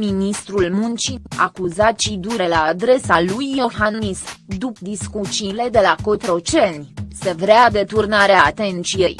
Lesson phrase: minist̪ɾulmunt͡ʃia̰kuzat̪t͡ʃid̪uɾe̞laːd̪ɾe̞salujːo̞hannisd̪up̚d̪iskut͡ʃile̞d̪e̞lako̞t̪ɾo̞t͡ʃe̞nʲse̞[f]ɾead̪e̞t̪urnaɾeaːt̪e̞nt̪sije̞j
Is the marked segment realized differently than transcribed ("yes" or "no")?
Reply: yes